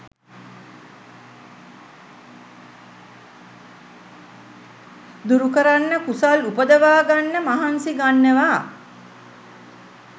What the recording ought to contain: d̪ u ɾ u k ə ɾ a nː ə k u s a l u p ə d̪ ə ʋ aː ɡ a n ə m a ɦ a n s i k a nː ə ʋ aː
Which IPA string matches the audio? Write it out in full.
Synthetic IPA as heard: d̪ u ɾ u k ə ɾ a nː ə k u s a l u p ə d̪ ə ʋ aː ɡ a nː ə m a ɦ a n s i ɡ a nː ə ʋ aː